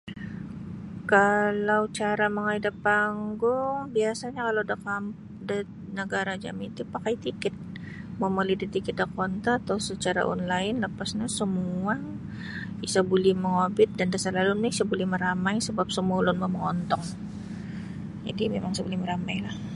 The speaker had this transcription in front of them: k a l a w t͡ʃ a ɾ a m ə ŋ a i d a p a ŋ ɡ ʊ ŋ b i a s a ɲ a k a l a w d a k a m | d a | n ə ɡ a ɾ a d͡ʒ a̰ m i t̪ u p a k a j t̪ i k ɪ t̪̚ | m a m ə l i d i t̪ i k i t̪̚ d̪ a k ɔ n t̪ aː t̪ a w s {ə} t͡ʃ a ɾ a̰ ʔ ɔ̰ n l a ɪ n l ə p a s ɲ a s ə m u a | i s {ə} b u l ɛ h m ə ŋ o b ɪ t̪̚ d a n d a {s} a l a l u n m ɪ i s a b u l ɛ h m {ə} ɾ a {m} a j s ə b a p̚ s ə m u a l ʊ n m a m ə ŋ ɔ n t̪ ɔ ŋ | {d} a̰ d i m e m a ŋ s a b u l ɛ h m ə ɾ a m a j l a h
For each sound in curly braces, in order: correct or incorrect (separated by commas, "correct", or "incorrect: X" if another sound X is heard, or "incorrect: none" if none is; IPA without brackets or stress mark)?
correct, incorrect: a, correct, correct, correct, incorrect: d͡ʒ